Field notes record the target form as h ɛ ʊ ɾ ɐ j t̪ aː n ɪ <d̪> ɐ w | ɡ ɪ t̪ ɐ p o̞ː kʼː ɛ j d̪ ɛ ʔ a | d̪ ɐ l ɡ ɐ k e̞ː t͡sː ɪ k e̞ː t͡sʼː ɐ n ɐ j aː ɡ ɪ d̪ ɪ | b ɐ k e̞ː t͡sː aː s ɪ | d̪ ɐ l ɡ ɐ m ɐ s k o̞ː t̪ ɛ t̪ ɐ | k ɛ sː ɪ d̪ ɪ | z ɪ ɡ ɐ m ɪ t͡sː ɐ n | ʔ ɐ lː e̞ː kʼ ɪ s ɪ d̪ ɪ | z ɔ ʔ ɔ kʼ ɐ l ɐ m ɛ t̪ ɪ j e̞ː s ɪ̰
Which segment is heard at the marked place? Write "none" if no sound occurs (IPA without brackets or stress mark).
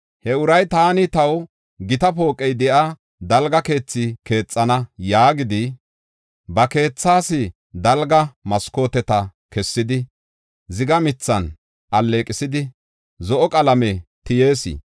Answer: t̪